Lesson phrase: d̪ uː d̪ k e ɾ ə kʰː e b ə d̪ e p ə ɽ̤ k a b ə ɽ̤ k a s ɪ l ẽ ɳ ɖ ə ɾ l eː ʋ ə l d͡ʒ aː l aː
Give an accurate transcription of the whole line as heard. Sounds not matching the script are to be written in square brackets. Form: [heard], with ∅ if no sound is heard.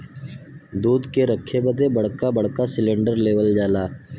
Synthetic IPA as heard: d̪ uː d̪ k e ɾ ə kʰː e b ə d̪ e [b] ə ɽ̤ k a b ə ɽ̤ k a s ɪ l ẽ ɳ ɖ ə ɾ l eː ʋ ə l d͡ʒ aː l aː